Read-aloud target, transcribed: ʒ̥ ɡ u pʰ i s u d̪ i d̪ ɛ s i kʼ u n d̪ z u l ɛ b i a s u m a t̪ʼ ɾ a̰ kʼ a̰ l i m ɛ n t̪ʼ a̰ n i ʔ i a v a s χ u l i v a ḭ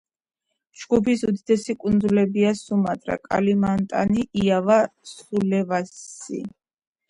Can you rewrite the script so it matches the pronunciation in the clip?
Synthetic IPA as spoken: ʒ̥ ɡ u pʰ i s u d̪ i d̪ ɛ s i kʼ u n d̪ z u l ɛ b i a s u m a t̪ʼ ɾ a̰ kʼ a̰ l i m a n t̪ʼ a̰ n i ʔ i a v a s χ u l ɛ v a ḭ

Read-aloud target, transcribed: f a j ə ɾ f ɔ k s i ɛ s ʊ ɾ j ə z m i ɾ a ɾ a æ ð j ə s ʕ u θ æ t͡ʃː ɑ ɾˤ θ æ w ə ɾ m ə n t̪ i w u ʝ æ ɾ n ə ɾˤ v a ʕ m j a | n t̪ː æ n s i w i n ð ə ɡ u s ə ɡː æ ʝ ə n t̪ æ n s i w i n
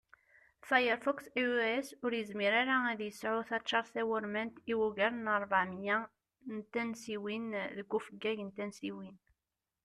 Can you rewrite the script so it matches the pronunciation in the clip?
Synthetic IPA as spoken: f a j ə ɾ f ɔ k s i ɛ s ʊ ɾ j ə z m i ɾ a ɾ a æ ð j ə s ʕ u θ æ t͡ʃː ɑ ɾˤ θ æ w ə ɾ m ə n t̪ i w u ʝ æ ɾ n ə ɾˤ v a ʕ m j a | n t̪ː æ n s i w i n ð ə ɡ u f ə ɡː æ ʝ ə n t̪ æ n s i w i n

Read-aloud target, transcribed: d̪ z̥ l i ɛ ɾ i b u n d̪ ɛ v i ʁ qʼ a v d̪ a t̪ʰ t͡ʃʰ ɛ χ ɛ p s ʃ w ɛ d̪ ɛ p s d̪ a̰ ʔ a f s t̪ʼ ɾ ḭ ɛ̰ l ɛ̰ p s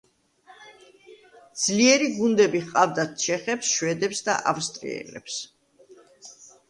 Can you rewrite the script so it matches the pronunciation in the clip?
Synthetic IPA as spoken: d̪ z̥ l i ɛ ɾ i ɡ u n d̪ ɛ b i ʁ qʼ a v d̪ a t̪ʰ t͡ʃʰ ɛ χ ɛ p s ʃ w ɛ d̪ ɛ p s d̪ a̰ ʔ a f s t̪ʼ ɾ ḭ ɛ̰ l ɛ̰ p s

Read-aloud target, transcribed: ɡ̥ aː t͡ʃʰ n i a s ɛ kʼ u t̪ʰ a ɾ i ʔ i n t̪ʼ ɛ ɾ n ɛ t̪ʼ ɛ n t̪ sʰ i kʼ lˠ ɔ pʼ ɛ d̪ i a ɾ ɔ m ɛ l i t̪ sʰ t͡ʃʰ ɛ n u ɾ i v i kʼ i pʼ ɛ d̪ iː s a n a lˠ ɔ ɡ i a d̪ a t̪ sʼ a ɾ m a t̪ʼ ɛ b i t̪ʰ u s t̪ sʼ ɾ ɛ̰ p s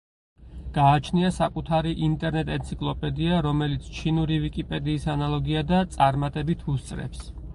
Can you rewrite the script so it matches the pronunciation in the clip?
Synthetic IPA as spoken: ɡ̥ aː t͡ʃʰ n i a s a kʼ u t̪ʰ a ɾ i ʔ i n t̪ʼ ɛ ɾ n ɛ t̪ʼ ɛ n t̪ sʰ i kʼ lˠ ɔ pʼ ɛ d̪ i a ɾ ɔ m ɛ l i t̪ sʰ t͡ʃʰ i n u ɾ i v i kʼ i pʼ ɛ d̪ iː s a n a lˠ ɔ ɡ i a d̪ a t̪ sʼ a ɾ m a t̪ʼ ɛ b i t̪ʰ u s t̪ sʼ ɾ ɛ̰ p s

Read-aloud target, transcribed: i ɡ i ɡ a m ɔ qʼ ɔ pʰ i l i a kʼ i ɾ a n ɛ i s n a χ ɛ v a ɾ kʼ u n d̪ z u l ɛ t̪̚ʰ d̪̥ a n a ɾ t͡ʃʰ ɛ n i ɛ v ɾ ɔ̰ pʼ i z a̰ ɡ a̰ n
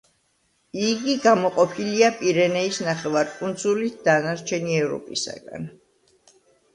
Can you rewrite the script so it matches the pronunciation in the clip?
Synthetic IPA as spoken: i ɡ i ɡ a m ɔ qʼ ɔ pʰ i l i a pʼ i ɾ ɛ n ɛ i s n a χ ɛ v a ɾ kʼ u n d̪ z u l i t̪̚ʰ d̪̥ a n a ɾ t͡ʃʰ ɛ n i ɛ v ɾ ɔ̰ pʼ i s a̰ ɡ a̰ n

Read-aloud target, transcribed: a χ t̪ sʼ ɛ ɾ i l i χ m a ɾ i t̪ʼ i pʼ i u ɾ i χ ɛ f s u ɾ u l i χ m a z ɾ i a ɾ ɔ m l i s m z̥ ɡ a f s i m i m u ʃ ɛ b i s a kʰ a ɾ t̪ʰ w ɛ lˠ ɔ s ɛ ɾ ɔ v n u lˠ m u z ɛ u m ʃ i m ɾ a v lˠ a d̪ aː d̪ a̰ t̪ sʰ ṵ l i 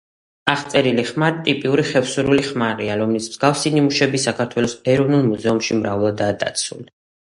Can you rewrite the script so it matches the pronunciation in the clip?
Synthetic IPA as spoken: a χ t̪ sʼ ɛ ɾ i l i χ m a ɾ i t̪ʼ i pʼ i u ɾ i χ ɛ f s u ɾ u l i χ m a ɾ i a ɾ ɔ m l i s m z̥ ɡ a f s i n i m u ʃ ɛ b i s a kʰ a ɾ t̪ʰ w ɛ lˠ ɔ s ɛ ɾ ɔ v n u lˠ m u z ɛ u m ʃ i m ɾ a v lˠ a d̪ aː d̪ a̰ t̪ sʰ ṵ l i

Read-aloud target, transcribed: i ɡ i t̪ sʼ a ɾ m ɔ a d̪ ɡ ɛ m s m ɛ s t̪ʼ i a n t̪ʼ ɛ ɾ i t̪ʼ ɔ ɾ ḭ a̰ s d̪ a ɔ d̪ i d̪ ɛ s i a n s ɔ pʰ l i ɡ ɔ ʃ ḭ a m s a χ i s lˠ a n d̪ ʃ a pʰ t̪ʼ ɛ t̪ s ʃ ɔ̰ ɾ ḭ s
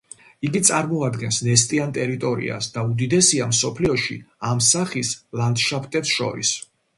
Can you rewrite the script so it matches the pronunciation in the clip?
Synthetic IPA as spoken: i ɡ i t̪ sʼ a ɾ m ɔ a d̪ ɡ ɛ n s n ɛ s t̪ʼ i a n t̪ʼ ɛ ɾ i t̪ʼ ɔ ɾ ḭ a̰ s d̪ a u d̪ i d̪ ɛ s i a m s ɔ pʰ l i ɔ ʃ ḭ a m s a χ i s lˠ a n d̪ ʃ a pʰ t̪ʼ ɛ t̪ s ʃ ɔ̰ ɾ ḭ s

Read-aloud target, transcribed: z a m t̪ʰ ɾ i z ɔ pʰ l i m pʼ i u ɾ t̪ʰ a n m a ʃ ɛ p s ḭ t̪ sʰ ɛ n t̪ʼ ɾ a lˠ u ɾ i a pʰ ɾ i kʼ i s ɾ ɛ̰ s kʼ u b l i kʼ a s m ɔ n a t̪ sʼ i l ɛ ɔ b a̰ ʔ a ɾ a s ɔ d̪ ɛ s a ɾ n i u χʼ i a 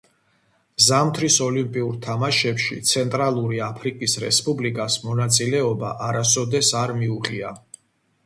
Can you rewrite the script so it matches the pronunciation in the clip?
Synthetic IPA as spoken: z a m t̪ʰ ɾ i s ɔ l i m pʼ i u ɾ t̪ʰ a m a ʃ ɛ p ʃ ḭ t̪ sʰ ɛ n t̪ʼ ɾ a lˠ u ɾ i a pʰ ɾ i kʼ i s ɾ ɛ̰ s pʼ u b l i kʼ a s m ɔ n a t̪ sʼ i l ɛ ɔ b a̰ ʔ a ɾ a s ɔ d̪ ɛ s a ɾ m i u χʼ i a

